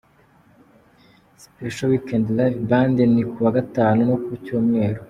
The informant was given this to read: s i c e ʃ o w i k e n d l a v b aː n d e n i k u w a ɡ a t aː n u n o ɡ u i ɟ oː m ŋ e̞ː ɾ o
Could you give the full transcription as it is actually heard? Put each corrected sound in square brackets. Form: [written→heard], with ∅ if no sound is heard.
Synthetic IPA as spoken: s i [c→p] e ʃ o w i k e n d l a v b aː n d e n i k u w a ɡ a t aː n u n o [ɡ→k] u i [ɟ→c] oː m ŋ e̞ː ɾ o